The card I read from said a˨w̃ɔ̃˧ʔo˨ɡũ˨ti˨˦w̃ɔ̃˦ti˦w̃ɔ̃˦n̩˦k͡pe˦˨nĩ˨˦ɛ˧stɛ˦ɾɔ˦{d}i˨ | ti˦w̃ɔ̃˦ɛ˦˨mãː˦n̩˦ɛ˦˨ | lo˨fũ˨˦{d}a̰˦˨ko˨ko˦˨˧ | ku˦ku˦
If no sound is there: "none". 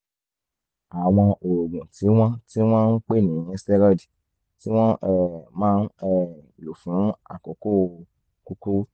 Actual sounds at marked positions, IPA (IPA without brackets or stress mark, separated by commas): d, none